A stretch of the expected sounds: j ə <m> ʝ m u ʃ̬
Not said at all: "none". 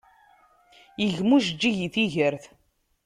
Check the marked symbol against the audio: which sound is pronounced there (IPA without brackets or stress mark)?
none